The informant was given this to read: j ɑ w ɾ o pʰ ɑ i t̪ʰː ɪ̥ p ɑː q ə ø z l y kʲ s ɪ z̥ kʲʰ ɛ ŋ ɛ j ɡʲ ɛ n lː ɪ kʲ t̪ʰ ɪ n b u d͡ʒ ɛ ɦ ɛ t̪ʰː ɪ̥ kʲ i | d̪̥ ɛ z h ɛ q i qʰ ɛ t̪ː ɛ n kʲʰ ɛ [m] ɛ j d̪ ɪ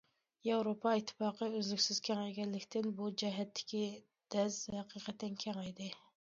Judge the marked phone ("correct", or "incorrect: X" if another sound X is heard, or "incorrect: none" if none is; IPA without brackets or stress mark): incorrect: ŋ